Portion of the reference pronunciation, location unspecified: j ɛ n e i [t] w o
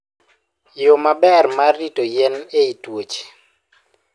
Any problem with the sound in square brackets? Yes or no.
no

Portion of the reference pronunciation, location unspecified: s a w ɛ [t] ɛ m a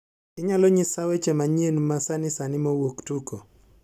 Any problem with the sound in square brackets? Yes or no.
yes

